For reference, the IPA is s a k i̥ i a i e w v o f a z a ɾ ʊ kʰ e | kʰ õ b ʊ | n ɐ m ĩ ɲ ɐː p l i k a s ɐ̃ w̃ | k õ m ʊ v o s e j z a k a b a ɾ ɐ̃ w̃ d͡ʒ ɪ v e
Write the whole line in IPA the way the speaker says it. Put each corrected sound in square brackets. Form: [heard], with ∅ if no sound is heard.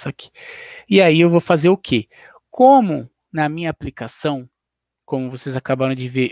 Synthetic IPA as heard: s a k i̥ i a i e w v o f a z [e] ɾ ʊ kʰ e | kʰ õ [m] ʊ | n ɐ m ĩ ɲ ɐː p l i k a s ɐ̃ w̃ | k õ m ʊ v o s e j z a k a b a ɾ ɐ̃ w̃ d͡ʒ ɪ v e